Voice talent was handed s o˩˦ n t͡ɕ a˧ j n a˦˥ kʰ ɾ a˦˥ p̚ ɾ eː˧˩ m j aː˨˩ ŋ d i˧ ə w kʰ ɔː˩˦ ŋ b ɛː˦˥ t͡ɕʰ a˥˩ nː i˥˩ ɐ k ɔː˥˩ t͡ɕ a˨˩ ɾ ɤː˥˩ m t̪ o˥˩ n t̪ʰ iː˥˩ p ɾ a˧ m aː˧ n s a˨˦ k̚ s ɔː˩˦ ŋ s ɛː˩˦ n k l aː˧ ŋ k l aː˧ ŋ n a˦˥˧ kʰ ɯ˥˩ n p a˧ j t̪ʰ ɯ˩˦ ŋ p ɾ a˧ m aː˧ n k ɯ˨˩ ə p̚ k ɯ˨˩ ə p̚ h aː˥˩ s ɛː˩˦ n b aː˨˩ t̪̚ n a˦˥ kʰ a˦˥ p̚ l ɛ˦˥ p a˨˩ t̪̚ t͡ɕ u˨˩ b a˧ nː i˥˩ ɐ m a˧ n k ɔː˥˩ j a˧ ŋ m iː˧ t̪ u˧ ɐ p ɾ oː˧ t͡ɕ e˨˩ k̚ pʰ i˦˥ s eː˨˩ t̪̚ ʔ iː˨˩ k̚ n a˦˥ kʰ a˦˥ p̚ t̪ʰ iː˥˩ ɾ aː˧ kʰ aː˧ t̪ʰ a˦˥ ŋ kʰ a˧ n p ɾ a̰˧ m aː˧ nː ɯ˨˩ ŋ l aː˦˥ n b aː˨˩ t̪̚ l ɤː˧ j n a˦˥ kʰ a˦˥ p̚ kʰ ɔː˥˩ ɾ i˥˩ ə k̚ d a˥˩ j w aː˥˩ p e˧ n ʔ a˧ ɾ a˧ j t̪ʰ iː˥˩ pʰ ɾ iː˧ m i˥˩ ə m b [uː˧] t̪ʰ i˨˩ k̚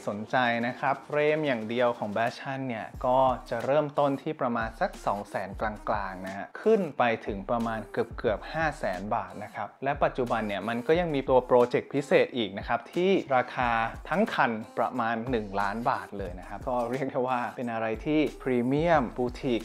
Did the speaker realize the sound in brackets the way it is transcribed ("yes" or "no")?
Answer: yes